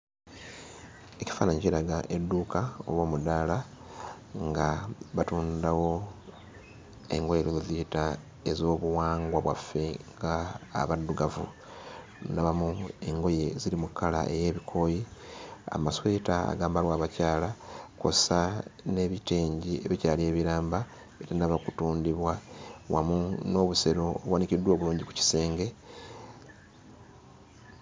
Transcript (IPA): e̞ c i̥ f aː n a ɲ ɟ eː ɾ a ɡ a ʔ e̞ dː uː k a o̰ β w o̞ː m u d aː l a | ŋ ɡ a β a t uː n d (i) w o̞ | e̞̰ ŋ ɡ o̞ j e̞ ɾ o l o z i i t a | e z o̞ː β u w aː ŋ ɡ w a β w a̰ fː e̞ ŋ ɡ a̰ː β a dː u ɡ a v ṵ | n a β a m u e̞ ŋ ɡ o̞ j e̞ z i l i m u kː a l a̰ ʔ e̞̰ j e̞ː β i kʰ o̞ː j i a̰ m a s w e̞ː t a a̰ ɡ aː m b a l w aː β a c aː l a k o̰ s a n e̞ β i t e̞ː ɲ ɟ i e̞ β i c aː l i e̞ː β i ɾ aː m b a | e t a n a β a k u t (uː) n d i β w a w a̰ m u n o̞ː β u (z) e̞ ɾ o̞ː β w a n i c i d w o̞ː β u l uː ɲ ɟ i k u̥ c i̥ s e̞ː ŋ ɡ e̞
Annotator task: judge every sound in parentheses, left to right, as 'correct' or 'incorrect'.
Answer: incorrect, correct, incorrect

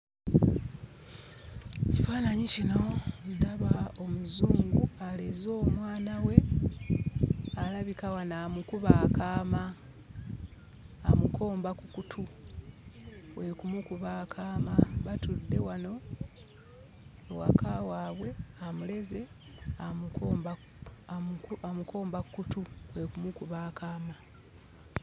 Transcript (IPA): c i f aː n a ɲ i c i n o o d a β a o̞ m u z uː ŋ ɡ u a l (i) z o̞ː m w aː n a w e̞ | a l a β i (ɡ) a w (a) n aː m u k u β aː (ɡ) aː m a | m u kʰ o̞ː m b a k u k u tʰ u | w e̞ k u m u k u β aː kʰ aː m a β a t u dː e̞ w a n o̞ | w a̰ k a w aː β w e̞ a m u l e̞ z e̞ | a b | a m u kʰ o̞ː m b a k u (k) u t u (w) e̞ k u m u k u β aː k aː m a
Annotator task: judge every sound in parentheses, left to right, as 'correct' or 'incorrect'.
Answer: incorrect, incorrect, correct, incorrect, correct, correct

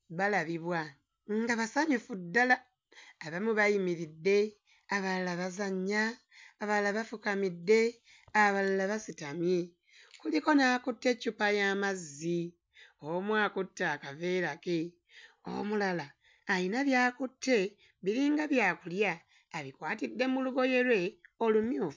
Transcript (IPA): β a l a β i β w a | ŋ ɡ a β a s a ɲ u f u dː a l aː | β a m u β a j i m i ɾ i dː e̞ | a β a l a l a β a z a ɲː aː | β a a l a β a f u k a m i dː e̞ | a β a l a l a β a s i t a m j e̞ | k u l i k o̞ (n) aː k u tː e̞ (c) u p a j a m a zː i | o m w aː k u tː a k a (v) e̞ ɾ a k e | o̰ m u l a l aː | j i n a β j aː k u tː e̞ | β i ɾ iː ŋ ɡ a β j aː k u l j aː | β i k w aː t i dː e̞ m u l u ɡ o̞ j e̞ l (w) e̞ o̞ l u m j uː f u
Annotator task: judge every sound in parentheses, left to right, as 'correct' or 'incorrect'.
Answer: correct, correct, correct, correct

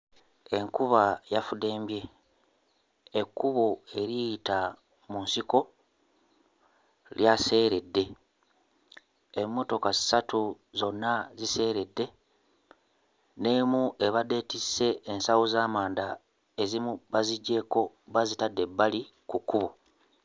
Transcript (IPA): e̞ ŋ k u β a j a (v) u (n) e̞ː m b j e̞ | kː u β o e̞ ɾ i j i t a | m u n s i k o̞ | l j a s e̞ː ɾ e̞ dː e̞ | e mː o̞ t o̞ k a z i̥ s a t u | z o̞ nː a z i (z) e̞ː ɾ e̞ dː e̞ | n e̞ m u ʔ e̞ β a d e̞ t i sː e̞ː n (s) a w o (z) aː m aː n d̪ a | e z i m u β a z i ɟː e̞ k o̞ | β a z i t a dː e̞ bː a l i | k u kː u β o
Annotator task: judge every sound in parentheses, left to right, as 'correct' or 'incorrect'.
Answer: incorrect, incorrect, incorrect, correct, correct

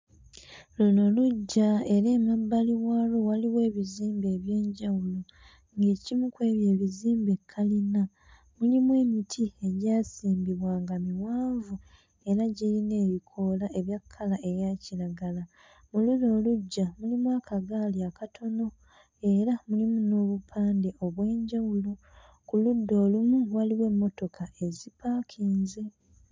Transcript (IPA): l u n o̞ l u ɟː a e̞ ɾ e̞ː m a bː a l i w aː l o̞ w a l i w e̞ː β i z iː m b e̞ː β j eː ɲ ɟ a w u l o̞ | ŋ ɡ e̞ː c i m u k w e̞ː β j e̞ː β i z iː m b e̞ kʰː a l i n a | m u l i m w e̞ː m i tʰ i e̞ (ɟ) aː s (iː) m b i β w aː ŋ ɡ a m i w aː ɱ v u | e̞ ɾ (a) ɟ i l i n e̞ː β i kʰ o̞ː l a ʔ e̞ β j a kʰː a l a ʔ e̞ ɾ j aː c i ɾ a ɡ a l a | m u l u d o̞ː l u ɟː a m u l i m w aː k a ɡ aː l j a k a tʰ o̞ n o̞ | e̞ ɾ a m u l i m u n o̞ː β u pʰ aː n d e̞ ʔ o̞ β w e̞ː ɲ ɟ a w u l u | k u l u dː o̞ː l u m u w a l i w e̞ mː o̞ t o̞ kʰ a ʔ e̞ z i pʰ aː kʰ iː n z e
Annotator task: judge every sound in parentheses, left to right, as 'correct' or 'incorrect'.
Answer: correct, correct, correct

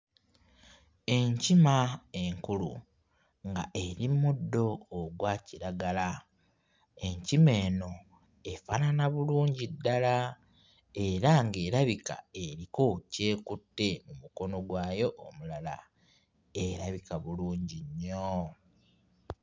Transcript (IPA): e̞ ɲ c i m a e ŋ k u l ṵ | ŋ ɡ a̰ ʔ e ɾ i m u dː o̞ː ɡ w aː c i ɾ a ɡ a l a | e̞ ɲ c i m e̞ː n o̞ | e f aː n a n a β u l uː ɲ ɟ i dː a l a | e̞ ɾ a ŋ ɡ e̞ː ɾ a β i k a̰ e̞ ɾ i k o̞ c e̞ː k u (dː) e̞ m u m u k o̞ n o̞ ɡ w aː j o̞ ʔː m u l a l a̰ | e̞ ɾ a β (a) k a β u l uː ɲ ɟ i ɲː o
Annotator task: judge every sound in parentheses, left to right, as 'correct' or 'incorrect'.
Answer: incorrect, incorrect

